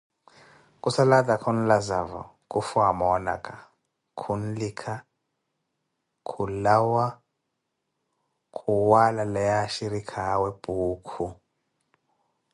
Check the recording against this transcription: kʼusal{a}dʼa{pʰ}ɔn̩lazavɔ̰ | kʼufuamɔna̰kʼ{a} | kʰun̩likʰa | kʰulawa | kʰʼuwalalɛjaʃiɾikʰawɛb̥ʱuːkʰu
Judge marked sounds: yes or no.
yes, no, yes

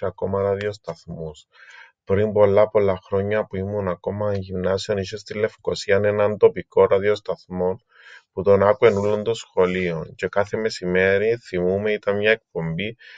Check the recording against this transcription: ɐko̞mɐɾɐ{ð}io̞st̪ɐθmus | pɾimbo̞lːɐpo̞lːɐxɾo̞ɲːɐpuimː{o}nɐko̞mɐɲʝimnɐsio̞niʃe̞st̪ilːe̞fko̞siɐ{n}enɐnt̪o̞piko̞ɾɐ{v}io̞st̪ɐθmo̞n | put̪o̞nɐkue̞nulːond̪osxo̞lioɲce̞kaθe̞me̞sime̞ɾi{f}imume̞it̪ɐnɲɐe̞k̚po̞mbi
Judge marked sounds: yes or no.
yes, no, yes, no, no

